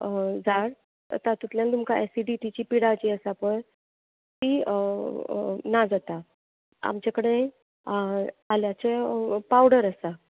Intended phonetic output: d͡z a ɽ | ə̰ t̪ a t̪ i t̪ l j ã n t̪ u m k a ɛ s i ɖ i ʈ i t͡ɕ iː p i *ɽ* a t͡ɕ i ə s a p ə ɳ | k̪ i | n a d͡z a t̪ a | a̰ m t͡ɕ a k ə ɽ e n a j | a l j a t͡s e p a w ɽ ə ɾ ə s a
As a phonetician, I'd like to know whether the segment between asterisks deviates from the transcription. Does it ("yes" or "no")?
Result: no